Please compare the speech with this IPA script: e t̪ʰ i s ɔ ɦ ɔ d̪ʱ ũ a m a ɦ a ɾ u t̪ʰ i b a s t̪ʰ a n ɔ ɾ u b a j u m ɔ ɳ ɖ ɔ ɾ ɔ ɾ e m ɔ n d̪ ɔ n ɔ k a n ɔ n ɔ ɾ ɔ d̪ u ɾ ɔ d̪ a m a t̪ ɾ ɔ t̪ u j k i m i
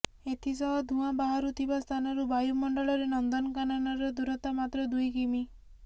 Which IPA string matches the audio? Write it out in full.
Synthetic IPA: e t̪ʰ i s ɔ ɦ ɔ d̪ʱ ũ a b a ɦ a ɾ u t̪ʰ i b a s t̪ʰ a n ɔ ɾ u b a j u m ɔ ɳ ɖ ɔ ɭ ɔ ɾ e n ɔ n d̪ ɔ n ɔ k a n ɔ n ɔ ɾ ɔ d̪ u ɾ ɔ t̪ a m a t̪ ɾ ɔ d̪ u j k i m i